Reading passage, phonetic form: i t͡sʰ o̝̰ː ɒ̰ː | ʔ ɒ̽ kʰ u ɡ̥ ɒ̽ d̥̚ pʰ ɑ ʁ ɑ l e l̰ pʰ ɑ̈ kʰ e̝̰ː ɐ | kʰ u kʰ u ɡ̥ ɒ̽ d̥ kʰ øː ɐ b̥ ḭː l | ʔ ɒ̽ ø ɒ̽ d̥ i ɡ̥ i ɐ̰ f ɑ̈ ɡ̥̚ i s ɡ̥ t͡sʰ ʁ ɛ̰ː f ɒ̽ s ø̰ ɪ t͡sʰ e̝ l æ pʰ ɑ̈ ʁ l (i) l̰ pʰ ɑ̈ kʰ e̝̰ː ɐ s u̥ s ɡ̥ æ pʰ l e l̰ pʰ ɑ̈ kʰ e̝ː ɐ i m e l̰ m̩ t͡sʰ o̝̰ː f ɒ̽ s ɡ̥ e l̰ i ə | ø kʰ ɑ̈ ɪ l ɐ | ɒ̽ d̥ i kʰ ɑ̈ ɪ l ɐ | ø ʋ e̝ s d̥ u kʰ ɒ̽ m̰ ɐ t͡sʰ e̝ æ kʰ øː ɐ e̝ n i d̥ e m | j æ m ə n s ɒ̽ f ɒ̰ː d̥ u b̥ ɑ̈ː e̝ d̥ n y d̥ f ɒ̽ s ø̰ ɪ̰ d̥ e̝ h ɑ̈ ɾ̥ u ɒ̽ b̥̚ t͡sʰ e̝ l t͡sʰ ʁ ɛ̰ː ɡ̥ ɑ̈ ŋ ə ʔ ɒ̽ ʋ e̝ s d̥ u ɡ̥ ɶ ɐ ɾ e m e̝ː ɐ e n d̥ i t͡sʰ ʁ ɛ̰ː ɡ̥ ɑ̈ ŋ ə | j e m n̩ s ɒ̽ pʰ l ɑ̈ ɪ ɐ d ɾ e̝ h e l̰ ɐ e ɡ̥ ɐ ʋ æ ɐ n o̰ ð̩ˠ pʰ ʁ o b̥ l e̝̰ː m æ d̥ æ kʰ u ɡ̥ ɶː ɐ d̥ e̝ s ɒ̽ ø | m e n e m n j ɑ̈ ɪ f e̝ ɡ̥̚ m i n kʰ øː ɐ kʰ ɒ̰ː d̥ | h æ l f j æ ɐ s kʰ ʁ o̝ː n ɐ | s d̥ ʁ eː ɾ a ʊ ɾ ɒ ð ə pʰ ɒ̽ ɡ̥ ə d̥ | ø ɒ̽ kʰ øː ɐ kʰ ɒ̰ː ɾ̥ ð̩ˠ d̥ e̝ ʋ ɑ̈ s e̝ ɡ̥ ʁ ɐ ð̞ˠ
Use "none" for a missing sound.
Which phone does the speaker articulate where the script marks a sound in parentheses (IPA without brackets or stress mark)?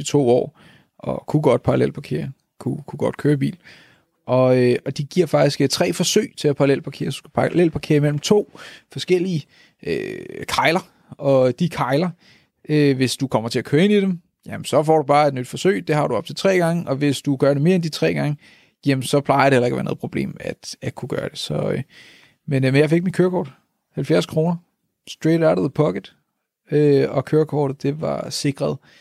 e